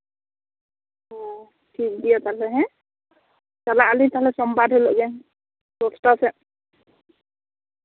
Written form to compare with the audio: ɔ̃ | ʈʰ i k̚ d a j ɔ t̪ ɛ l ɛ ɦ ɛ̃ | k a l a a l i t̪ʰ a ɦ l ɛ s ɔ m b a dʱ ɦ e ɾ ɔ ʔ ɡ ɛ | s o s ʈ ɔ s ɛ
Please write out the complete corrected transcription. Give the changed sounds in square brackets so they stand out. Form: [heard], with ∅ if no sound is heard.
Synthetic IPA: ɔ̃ | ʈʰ i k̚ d [i] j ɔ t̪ [a] l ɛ ɦ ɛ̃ | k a l a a l i [t̪] a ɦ l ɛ s ɔ m b a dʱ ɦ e [l] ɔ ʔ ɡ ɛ | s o s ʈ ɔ s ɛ